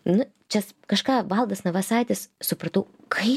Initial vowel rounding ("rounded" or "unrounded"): rounded